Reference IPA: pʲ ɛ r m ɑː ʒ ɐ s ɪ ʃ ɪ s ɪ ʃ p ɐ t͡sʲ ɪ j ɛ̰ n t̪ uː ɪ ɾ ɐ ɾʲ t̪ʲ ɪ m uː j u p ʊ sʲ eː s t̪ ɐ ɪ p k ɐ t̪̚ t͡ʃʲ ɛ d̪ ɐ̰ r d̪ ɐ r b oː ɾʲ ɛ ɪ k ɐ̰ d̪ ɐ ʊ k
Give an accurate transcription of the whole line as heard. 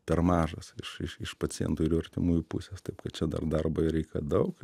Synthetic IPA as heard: pʲ ɛ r m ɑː ʒ ɐ s ɪ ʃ ɪ ʃ ɪ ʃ p ɐ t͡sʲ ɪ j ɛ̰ n t̪ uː ɪ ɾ ɐ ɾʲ t̪ʲ ɪ m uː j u p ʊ sʲ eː s t̪ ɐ ɪ p k ɐ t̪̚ t͡ʃʲ ɛ d̪ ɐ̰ r d̪ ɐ r b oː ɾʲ ɛ ɪ k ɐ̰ d̪ ɐ ʊ k